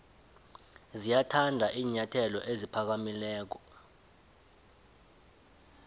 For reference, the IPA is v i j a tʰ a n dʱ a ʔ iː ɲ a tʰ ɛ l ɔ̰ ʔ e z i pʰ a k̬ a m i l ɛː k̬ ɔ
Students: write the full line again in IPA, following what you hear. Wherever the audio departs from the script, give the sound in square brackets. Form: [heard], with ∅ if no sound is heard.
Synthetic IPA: [z] i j a tʰ a n dʱ a ʔ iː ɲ a tʰ ɛ l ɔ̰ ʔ e z i pʰ a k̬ a m i l ɛː k̬ ɔ

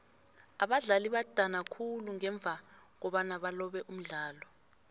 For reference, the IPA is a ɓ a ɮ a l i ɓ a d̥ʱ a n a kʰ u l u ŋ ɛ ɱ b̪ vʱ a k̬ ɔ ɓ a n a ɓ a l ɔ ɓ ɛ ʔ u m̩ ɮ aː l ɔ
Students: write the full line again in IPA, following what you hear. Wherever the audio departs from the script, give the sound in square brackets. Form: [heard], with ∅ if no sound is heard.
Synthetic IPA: a ɓ a ɮ a l i ɓ a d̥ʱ a n a kʰ u l u ŋ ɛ ɱ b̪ vʱ a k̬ ɔ ɓ a n a ɓ a l ɔ ɓ ɛ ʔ u m̩ ɮ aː l ɔ

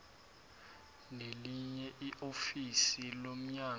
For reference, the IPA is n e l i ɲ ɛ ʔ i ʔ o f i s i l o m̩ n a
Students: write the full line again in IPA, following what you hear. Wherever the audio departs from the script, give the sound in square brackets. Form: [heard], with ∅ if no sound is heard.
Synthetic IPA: n e l i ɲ ɛ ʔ i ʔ o f i s i l o m̩ [ɲ] a

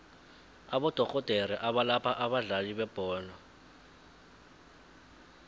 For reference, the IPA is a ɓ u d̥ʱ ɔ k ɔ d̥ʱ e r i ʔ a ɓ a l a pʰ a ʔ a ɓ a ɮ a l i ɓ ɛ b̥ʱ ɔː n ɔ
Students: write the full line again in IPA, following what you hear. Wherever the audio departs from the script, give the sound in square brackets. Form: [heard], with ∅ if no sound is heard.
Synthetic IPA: a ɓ [ɔ] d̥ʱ ɔ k ɔ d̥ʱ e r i ʔ a ɓ a l a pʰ a ʔ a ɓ a ɮ a l i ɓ ɛ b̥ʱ ɔː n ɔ

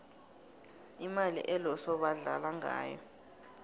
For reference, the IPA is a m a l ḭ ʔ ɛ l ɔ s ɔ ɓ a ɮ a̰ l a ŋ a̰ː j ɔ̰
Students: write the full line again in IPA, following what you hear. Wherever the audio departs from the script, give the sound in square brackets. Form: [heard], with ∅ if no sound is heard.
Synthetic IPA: [i] m a l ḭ ʔ ɛ l ɔ s ɔ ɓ a ɮ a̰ l a ŋ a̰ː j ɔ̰

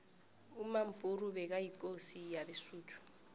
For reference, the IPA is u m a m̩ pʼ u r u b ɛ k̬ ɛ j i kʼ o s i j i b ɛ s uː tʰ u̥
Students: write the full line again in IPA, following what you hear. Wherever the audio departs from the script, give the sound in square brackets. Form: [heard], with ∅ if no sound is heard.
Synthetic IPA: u m a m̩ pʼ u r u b ɛ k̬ [a] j i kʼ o s i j [a] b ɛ s uː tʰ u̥

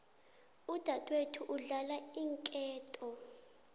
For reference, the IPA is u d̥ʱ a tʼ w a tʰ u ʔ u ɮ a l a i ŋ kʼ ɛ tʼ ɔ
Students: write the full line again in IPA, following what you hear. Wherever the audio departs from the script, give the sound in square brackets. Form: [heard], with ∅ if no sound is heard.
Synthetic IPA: u d̥ʱ a tʼ w [e] tʰ u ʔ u ɮ a l a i ŋ kʼ [ɛː] tʼ ɔ

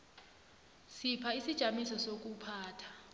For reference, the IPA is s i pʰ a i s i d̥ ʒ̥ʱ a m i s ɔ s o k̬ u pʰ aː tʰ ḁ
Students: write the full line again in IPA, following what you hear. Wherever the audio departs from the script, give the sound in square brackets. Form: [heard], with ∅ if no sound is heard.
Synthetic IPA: s i pʰ a i s i d̥ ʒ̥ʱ a m i s ɔ s o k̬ u pʰ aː tʰ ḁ

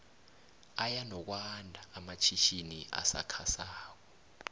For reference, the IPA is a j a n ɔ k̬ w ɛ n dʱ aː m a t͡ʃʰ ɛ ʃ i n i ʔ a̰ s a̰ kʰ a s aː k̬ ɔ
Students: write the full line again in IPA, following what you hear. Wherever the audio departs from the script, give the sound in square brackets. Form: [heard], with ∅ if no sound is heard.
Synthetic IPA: a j a n ɔ k̬ w [a] n dʱ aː m a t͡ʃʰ [i] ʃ i n i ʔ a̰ s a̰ kʰ a s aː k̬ ɔ

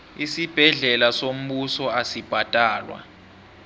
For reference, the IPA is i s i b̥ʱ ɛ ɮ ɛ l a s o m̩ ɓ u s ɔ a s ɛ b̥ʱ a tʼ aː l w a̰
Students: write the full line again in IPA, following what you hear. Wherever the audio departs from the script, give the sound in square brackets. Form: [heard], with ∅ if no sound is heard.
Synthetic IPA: i s i b̥ʱ ɛ ɮ ɛ l a s o m̩ ɓ u s ɔ a s [i] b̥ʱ a tʼ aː l w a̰

